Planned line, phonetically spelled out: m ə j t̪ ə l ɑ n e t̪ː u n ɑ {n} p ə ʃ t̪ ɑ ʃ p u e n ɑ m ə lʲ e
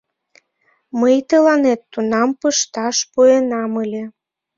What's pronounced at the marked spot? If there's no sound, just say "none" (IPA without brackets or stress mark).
m